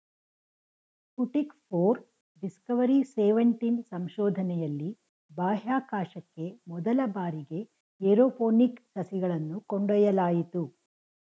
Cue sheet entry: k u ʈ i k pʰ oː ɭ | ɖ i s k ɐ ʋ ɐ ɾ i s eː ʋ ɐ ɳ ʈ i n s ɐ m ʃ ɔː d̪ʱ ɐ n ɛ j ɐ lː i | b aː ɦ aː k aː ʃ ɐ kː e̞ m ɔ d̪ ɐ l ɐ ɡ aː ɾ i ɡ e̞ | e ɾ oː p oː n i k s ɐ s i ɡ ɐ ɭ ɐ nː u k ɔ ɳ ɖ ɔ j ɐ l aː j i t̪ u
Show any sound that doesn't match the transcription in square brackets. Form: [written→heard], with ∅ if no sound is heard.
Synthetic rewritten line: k u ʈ i k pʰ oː [ɭ→ɾ] | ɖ i s k ɐ ʋ ɐ ɾ i s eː ʋ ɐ ɳ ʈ i n s ɐ m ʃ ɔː d̪ʱ ɐ n ɛ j ɐ lː i | b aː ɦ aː k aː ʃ ɐ kː e̞ m ɔ d̪ ɐ l ɐ [ɡ→b] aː ɾ i ɡ e̞ | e ɾ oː p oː n i k s ɐ s i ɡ ɐ ɭ ɐ nː u k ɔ ɳ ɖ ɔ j ɐ l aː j i t̪ u